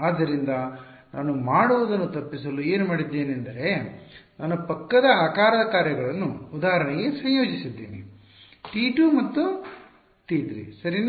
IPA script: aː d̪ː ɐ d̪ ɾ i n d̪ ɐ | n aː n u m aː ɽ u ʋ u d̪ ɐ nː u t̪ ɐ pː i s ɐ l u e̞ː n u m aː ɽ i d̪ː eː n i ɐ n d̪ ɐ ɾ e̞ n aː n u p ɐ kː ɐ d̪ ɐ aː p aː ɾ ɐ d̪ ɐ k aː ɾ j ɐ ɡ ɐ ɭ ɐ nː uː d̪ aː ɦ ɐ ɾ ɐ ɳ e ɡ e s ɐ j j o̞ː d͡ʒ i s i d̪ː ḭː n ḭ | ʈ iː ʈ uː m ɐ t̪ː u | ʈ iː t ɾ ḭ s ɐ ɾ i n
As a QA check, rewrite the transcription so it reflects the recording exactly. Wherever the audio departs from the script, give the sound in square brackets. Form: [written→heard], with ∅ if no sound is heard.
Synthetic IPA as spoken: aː d̪ː ɐ [d̪→∅] ɾ i n d̪ ɐ | n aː n u m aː ɽ u ʋ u d̪ ɐ nː u t̪ ɐ pː i s ɐ l u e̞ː n u m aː ɽ i d̪ː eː n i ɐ n d̪ ɐ ɾ e̞ n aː n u p ɐ kː ɐ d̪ ɐ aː [p→k] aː ɾ ɐ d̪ ɐ k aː ɾ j ɐ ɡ ɐ ɭ ɐ nː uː d̪ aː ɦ ɐ ɾ ɐ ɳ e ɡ e s ɐ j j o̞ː d͡ʒ i s i d̪ː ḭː n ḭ | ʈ iː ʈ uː m ɐ t̪ː u | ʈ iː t ɾ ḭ s ɐ ɾ i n